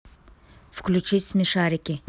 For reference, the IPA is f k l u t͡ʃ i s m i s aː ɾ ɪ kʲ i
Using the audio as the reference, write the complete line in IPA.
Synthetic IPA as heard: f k l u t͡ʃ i s m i ʃ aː ɾ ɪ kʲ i